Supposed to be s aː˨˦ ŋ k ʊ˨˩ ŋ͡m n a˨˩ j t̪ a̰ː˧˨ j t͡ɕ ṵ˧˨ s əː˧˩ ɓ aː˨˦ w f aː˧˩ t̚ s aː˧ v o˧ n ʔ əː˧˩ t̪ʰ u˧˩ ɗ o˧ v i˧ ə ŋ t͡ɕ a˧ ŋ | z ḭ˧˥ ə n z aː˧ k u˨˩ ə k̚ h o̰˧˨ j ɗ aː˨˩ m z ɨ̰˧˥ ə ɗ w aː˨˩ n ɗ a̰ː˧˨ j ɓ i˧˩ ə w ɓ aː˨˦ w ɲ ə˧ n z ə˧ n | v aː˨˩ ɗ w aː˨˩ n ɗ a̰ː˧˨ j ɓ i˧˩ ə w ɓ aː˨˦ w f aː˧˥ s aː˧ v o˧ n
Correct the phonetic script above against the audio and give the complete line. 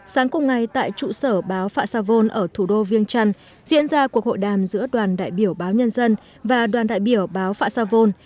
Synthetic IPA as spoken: s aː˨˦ ŋ k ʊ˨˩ ŋ͡m ŋ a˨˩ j t̪ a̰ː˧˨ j t͡ɕ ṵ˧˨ s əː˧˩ ɓ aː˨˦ w f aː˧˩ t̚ s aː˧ v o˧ n ʔ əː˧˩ t̪ʰ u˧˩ ɗ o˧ v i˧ ə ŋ t͡ɕ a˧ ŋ | z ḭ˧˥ ə n z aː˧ k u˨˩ ə k̚ h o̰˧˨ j ɗ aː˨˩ m z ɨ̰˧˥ ə ɗ w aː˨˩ n ɗ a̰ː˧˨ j ɓ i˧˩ ə w ɓ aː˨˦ w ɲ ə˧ n z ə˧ n | v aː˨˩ ɗ w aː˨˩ n ɗ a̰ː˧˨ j ɓ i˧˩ ə w ɓ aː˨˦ w f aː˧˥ s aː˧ v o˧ n